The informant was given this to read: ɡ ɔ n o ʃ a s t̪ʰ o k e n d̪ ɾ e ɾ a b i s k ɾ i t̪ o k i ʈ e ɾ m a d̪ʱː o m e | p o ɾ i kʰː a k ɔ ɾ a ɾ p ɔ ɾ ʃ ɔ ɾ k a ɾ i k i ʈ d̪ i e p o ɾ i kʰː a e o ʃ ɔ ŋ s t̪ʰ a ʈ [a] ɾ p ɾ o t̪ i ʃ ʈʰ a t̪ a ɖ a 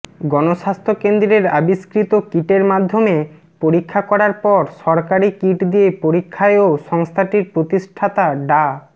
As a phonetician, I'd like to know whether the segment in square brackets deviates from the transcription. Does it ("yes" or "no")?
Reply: yes